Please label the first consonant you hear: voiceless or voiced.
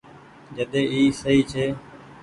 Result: voiced